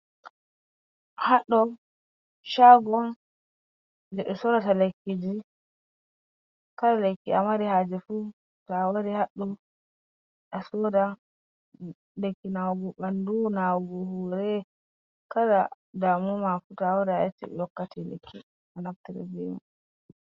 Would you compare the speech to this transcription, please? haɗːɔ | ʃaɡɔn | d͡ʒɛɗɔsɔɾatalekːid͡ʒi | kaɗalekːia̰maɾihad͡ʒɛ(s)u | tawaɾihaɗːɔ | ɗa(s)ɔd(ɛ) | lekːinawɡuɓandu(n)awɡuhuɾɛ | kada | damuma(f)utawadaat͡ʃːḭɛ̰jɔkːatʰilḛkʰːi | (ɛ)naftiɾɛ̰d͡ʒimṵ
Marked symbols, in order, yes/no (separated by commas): no, yes, no, yes, yes, no